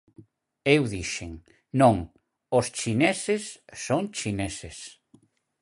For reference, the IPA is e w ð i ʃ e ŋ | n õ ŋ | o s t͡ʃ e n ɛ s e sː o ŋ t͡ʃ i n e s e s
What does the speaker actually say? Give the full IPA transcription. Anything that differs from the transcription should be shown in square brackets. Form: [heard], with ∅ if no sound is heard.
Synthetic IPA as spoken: e w ð i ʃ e ŋ | n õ ŋ | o s t͡ʃ [i] n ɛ s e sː o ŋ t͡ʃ i n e s e s